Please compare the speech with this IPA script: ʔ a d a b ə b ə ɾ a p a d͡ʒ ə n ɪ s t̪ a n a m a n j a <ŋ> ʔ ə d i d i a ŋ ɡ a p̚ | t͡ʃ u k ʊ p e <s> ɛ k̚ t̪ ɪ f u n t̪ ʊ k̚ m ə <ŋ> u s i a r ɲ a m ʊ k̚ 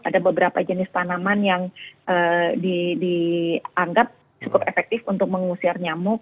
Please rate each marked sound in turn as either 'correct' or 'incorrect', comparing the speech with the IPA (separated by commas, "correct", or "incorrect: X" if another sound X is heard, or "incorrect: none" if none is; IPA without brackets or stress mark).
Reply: correct, incorrect: f, correct